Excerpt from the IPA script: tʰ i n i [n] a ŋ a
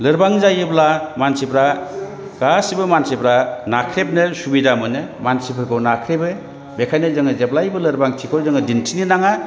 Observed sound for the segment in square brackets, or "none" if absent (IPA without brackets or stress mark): n